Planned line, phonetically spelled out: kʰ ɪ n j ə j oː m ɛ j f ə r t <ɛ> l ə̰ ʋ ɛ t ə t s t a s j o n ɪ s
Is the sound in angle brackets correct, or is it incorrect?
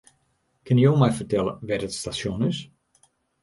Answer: correct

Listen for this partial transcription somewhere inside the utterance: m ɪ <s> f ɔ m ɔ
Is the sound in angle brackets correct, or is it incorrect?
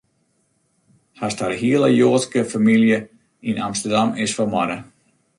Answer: correct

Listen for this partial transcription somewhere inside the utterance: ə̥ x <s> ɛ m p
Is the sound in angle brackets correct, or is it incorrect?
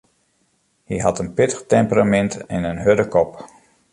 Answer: incorrect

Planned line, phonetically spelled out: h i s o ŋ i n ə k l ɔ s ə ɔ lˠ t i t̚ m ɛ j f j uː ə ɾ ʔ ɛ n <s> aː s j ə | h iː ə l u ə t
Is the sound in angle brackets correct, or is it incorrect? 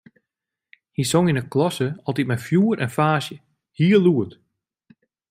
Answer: incorrect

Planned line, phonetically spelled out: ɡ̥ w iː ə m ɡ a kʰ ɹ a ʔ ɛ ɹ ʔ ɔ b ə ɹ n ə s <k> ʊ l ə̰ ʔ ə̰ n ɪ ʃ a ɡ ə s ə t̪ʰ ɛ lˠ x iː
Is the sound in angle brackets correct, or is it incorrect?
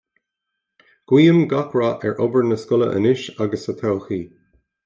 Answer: correct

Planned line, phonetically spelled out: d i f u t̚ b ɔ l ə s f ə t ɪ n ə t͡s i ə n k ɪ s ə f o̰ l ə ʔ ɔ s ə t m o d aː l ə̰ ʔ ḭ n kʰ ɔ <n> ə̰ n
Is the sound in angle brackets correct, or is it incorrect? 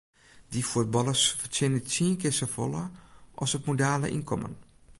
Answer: incorrect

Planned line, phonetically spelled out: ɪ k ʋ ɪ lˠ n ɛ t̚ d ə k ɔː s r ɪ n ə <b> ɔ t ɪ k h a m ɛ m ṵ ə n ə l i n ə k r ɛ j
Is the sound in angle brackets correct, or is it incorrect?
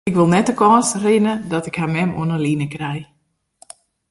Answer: incorrect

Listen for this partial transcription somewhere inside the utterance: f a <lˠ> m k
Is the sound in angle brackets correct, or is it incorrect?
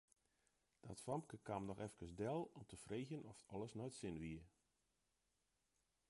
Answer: incorrect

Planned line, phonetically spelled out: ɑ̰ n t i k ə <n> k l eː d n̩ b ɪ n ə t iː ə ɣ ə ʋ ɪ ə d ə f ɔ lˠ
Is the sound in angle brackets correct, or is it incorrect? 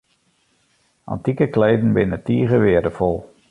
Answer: incorrect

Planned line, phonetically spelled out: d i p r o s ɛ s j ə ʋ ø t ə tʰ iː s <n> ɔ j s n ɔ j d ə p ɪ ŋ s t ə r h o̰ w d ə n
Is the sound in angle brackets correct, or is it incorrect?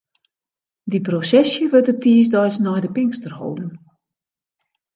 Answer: incorrect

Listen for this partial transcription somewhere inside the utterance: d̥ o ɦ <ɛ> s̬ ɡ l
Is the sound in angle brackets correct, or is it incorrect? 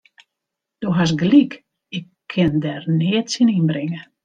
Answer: incorrect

